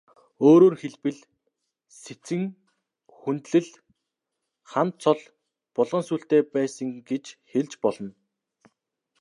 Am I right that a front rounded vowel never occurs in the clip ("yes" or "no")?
yes